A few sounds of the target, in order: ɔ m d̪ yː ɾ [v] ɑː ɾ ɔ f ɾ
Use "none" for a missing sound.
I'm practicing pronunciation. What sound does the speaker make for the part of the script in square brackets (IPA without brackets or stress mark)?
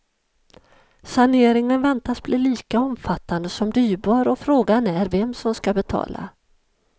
b